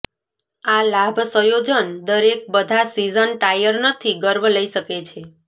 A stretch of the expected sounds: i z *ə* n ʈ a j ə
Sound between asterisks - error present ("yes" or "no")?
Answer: no